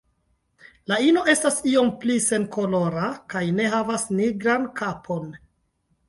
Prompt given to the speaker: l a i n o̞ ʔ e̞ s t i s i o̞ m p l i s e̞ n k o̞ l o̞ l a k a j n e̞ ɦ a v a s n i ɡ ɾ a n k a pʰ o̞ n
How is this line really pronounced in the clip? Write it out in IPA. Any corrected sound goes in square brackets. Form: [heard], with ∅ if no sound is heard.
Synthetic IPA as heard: l a i n o̞ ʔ e̞ s t [a] s i o̞ m p l i s e̞ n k o̞ l o̞ [ɾ] a k a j n e̞ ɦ a v a s n i ɡ ɾ a n k a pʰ o̞ n